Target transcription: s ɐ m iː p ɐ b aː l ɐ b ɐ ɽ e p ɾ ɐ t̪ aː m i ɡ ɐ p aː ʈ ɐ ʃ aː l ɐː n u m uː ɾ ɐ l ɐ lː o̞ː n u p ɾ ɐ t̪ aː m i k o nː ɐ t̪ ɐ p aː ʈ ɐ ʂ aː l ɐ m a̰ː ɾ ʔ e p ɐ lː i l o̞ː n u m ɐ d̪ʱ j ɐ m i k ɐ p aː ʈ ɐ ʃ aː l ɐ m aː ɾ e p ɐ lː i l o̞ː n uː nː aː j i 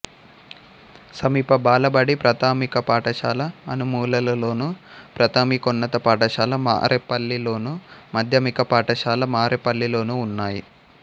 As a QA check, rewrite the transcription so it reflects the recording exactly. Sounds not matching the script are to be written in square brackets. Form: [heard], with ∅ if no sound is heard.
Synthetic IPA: s ɐ m iː p ɐ b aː l ɐ b ɐ ɽ [i] p ɾ ɐ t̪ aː m i [k] ɐ p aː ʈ ɐ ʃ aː l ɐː n u m uː [l] ɐ l ɐ [l] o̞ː n u p ɾ ɐ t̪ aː m i k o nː ɐ t̪ ɐ p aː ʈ ɐ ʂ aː l ɐ m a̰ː ɾ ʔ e p ɐ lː i l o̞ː n u m ɐ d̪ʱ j ɐ m i k ɐ p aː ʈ ɐ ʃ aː l ɐ m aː ɾ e p ɐ lː i l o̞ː n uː nː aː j i